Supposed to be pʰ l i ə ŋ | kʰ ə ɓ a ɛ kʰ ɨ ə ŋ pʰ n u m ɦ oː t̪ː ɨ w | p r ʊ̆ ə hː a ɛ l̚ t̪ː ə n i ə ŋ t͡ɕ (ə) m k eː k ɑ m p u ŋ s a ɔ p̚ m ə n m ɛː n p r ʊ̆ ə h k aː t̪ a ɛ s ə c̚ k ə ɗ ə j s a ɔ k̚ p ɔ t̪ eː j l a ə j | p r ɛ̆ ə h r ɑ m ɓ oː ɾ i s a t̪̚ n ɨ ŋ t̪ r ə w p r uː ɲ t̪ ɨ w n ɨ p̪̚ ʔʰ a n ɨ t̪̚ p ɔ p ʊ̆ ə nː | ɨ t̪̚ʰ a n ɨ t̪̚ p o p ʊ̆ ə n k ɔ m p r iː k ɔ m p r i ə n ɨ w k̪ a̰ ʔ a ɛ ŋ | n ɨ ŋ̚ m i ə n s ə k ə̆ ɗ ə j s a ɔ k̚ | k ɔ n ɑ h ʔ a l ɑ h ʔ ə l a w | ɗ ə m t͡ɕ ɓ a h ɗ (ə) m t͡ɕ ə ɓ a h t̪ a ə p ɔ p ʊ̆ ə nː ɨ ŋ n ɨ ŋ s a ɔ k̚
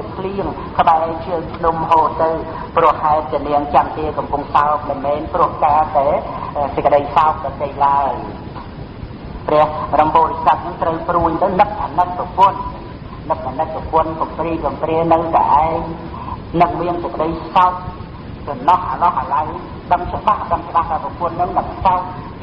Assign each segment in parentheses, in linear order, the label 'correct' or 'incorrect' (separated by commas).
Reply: incorrect, correct